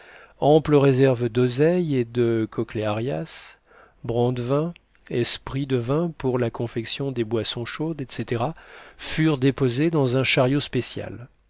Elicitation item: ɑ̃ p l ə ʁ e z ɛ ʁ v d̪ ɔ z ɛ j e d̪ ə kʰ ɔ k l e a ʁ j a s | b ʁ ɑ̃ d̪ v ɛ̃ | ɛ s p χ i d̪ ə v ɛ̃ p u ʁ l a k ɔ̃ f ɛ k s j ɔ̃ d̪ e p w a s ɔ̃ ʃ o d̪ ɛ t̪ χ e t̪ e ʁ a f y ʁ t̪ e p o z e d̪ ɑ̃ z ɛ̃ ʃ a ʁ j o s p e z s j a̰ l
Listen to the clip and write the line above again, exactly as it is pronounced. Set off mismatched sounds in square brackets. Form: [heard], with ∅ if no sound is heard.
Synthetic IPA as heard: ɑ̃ p l ə ʁ e z ɛ ʁ v d̪ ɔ z ɛ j e d̪ ə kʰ ɔ k l e a ʁ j a s | b ʁ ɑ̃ d̪ v ɛ̃ | ɛ s p χ i d̪ ə v ɛ̃ p u ʁ l a k ɔ̃ f ɛ k s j ɔ̃ d̪ e [b] w a s ɔ̃ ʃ o d̪ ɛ t̪ [s] e t̪ e ʁ a f y ʁ [d̪] e p o z e d̪ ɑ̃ z ɛ̃ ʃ a ʁ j o s p e [∅] s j a̰ l